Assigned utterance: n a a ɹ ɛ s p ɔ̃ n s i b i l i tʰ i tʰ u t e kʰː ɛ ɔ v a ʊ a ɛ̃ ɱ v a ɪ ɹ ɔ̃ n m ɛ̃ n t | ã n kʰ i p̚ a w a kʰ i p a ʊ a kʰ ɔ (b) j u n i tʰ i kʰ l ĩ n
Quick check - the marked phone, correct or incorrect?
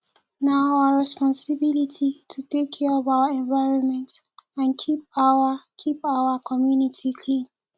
incorrect